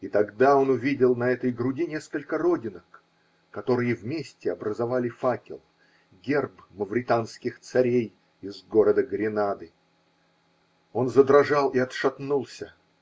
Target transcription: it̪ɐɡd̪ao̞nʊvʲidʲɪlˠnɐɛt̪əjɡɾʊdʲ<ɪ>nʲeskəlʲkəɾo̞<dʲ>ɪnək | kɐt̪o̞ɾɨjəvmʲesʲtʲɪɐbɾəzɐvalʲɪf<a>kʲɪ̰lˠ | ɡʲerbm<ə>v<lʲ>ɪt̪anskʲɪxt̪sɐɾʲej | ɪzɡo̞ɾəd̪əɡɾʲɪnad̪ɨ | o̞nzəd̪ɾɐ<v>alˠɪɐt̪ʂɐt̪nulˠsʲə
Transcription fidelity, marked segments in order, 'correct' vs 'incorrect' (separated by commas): incorrect, correct, correct, correct, incorrect, incorrect